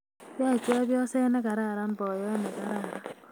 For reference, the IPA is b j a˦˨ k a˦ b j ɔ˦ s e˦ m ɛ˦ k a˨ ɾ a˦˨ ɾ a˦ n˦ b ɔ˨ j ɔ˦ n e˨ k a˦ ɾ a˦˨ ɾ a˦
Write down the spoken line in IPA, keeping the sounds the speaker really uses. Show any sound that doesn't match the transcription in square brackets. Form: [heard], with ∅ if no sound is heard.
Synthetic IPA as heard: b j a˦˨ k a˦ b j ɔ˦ s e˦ [n] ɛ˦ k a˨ ɾ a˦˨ ɾ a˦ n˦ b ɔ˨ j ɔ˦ n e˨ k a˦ ɾ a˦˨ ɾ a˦